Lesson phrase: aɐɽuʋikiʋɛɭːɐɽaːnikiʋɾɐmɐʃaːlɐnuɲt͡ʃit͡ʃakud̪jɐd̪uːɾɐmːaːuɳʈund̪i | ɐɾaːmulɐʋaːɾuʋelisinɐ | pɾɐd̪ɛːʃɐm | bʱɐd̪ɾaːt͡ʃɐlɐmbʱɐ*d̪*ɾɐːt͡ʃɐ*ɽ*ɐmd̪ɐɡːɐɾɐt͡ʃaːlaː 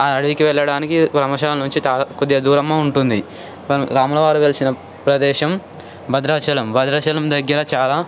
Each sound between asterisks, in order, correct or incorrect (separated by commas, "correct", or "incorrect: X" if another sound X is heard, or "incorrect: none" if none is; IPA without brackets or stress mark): correct, incorrect: l